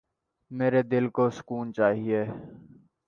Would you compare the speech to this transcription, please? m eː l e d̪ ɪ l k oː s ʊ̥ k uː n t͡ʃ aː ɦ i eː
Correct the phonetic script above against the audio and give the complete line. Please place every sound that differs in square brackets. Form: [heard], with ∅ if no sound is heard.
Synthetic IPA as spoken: m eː [ɾ] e d̪ ɪ l k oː s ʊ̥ k uː n t͡ʃ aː ɦ i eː